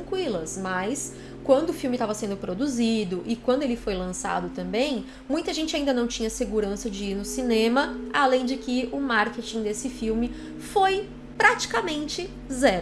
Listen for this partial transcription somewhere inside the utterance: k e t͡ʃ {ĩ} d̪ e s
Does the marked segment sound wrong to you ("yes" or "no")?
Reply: no